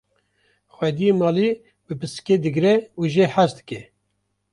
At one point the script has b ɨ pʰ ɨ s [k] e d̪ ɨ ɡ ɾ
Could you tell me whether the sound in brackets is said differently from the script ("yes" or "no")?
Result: no